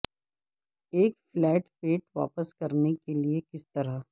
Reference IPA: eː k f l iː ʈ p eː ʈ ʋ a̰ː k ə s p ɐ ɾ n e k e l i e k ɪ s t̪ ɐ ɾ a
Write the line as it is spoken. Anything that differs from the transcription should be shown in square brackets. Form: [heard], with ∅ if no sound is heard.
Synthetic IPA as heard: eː k f l [ɛː] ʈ p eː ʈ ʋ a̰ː [p] ə s [k] ɐ ɾ n e k e l i e k ɪ s t̪ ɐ ɾ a